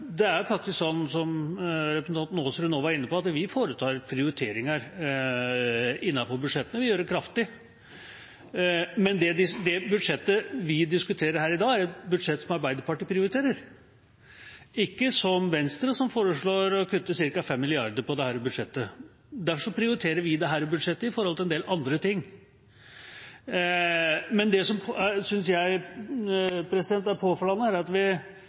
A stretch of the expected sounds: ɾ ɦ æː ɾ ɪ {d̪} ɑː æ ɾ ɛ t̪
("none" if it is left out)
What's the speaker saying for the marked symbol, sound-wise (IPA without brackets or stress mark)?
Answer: d̪